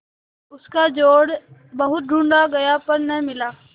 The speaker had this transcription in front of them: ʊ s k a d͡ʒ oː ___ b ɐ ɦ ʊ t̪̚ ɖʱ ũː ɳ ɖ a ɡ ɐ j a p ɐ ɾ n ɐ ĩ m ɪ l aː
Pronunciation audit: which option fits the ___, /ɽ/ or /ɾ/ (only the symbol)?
ɽ